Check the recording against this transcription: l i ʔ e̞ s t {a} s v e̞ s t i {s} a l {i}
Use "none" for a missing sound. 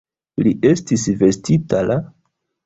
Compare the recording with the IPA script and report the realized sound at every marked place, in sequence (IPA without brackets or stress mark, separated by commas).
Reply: i, t, a